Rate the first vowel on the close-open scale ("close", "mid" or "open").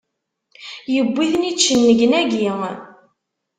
mid